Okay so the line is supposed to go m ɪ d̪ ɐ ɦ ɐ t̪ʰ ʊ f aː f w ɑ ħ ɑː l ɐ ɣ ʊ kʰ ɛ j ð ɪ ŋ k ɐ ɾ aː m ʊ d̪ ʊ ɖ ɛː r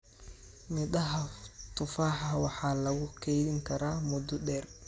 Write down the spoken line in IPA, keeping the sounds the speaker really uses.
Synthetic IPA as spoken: m ɪ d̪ ɐ ɦ ɐ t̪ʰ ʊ f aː ħ w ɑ ħ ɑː l ɐ ɣ ʊ kʰ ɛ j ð ɪ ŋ kʰ ɐ ɾ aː m ʊ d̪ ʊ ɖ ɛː r